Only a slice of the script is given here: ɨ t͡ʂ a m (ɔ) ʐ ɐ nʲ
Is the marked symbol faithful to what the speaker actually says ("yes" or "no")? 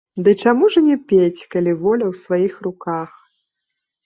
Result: no